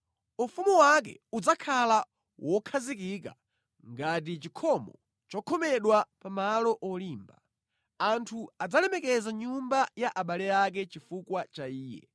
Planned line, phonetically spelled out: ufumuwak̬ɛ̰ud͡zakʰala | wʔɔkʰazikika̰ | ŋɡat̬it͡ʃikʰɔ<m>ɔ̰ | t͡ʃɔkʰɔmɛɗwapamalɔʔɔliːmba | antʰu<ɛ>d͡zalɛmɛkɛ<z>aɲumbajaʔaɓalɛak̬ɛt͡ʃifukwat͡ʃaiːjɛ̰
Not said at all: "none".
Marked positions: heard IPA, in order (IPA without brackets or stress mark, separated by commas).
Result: m, a, z